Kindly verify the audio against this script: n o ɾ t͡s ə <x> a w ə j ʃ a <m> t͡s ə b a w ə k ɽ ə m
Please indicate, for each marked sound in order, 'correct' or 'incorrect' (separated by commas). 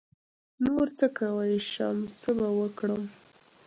incorrect, correct